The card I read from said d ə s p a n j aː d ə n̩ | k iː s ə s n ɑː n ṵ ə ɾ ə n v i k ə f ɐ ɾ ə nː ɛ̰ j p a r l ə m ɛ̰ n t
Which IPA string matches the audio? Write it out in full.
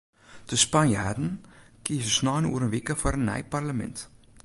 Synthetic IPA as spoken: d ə s p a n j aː d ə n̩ | k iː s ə s n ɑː n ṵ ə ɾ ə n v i k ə f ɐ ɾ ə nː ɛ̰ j p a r l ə m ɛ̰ n t